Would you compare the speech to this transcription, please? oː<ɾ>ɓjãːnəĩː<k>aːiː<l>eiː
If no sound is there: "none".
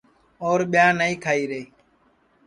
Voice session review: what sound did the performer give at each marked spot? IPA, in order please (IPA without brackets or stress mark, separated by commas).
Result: ɾ, kʰ, ɾ